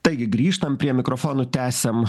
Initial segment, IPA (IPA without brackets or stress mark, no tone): t̪